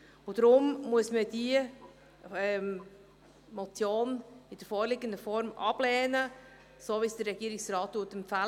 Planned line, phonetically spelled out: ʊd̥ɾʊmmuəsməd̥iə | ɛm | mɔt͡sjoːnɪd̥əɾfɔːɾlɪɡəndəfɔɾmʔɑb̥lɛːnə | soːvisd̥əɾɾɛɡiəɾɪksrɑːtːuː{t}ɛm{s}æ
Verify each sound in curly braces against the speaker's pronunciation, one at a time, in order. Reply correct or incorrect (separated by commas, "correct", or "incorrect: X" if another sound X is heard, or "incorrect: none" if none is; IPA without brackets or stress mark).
correct, incorrect: f